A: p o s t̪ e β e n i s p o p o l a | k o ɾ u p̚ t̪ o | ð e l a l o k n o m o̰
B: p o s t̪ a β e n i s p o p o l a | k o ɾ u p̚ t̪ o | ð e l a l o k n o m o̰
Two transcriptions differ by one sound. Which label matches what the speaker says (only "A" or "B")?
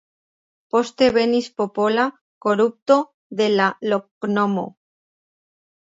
A